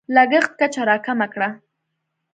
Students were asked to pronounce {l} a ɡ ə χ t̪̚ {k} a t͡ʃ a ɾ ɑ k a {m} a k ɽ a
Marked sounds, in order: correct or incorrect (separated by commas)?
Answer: correct, correct, correct